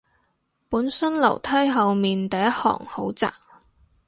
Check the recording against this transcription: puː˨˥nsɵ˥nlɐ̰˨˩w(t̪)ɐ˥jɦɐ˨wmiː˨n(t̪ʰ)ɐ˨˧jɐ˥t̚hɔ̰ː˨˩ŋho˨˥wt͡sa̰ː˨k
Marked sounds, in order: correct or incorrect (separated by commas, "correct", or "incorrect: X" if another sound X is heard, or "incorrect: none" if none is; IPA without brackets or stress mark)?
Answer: incorrect: t̪ʰ, incorrect: t̪